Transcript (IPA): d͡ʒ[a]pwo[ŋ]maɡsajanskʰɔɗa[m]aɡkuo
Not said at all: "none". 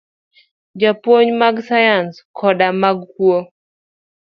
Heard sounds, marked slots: a, ɲ, m

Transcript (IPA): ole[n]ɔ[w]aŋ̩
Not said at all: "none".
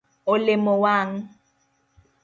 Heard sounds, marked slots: m, w

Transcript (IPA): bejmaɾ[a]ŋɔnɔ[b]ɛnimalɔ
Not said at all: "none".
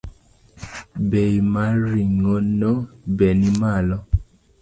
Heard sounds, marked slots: i, b

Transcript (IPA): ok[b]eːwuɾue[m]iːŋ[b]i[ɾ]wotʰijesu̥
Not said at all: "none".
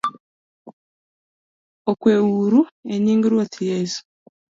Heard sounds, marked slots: w, ɲ, ɡ, ɾ

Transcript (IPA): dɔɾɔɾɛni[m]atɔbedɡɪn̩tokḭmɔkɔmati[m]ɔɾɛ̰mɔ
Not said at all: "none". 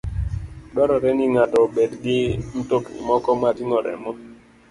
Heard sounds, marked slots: ŋ, ŋ

